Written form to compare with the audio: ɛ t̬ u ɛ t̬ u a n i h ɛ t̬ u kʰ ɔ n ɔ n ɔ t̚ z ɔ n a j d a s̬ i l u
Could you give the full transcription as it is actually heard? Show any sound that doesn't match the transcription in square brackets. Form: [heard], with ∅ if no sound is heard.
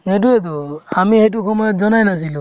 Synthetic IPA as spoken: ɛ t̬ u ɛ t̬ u a [m] i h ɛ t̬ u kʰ ɔ [m] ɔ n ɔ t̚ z ɔ n a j [n] a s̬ i l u